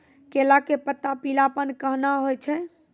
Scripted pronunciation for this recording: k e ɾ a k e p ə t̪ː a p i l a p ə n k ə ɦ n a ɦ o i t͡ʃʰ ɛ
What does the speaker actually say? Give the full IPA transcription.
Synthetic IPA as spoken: k e l a k e p ə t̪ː a p i l a p ə n k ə ɦ n a ɦ o j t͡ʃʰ ɛ